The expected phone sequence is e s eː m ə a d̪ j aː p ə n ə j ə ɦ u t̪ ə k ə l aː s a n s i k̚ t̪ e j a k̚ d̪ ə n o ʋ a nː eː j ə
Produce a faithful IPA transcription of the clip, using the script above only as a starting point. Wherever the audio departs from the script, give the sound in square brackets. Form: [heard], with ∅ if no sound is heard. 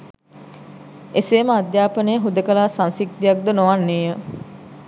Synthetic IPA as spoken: e s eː m ə a d̪ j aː p ə n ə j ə ɦ u [d̪] ə k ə l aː s a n s i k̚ t̪ [i] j a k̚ d̪ ə n o ʋ a nː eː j ə